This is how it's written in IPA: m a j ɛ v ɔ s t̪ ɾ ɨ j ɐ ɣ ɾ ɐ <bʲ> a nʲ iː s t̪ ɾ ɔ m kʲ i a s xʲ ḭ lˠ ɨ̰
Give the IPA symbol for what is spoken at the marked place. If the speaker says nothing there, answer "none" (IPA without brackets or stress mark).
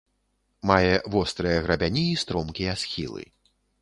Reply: bʲ